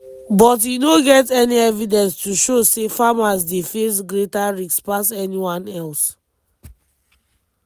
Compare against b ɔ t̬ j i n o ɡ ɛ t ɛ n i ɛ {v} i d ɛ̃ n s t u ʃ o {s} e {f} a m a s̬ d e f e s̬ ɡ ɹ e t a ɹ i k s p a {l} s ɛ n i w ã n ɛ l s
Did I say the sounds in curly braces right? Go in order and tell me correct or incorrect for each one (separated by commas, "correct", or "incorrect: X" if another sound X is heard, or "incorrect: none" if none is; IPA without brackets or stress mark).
correct, correct, correct, incorrect: none